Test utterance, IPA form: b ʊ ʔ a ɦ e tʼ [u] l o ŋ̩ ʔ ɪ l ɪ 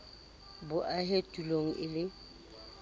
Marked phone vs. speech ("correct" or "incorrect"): correct